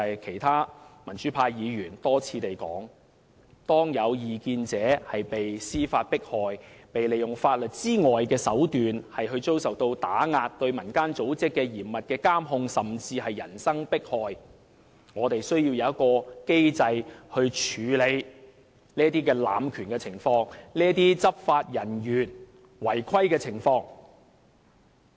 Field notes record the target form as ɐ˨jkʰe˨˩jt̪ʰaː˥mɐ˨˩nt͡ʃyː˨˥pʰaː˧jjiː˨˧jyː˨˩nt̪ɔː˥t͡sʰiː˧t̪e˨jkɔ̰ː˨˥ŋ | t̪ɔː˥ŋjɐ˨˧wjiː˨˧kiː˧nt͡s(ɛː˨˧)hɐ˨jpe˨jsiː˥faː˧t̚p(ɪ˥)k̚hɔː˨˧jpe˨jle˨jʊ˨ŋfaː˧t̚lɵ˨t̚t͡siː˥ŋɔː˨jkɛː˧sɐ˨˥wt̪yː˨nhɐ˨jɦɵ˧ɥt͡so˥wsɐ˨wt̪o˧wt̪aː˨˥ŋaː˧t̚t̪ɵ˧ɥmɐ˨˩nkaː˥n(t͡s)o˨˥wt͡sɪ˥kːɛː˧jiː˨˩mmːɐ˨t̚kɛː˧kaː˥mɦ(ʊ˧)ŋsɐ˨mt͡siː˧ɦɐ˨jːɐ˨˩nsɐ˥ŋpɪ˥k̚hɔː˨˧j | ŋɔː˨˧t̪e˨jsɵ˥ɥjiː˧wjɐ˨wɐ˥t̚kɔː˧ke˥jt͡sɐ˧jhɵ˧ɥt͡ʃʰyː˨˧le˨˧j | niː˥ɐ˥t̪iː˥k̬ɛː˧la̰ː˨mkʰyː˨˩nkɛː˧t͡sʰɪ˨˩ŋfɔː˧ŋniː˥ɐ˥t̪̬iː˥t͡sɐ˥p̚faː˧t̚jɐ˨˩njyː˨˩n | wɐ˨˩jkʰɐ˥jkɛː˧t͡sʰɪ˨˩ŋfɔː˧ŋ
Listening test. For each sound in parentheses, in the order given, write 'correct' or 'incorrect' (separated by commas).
correct, correct, correct, correct